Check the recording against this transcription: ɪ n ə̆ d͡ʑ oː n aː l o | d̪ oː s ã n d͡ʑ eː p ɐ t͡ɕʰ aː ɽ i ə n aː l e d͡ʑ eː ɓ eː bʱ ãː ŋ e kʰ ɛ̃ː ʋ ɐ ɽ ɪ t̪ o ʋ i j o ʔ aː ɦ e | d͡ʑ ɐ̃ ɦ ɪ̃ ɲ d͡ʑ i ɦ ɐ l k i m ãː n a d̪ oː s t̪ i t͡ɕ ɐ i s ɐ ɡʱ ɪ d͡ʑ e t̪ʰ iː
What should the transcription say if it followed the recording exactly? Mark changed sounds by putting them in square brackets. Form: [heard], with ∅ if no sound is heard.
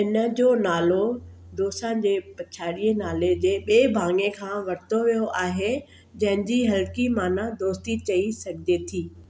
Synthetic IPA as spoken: ɪ n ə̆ d͡ʑ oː n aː l o | d̪ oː s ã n d͡ʑ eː p ɐ t͡ɕʰ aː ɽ i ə n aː l e d͡ʑ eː ɓ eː bʱ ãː ŋ e kʰ [ãː] ʋ ɐ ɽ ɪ t̪ o ʋ i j o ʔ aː ɦ e | d͡ʑ ɐ̃ ɦ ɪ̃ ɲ d͡ʑ i ɦ ɐ l k i m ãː n a d̪ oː s t̪ i t͡ɕ ɐ i s ɐ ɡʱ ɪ d͡ʑ e t̪ʰ iː